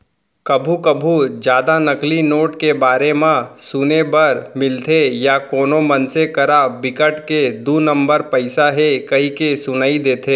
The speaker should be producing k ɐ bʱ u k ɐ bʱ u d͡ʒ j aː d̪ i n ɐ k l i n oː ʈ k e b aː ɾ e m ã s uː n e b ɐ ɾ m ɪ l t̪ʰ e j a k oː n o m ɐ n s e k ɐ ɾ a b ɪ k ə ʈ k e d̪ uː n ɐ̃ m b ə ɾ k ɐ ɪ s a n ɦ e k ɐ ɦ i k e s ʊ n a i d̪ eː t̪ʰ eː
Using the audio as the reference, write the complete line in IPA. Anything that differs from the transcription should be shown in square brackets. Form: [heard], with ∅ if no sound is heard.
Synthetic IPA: k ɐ bʱ u k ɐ bʱ u d͡ʒ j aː d̪ [a] n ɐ k l i n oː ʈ k e b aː ɾ e m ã s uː n e b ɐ ɾ m ɪ l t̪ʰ e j a k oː n o m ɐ n s e k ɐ ɾ a b ɪ k ə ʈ k e d̪ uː n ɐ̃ m b ə ɾ [p] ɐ ɪ s a [∅] ɦ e k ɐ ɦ i k e s ʊ n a i d̪ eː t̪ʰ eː